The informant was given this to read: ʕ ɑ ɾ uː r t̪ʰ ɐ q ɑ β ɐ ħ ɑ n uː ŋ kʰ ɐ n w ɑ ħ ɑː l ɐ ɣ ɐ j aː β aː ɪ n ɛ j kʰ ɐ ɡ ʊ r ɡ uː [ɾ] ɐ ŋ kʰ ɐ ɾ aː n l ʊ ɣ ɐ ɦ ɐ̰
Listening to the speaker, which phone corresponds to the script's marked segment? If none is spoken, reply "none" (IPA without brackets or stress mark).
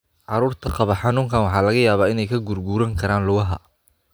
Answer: ɾ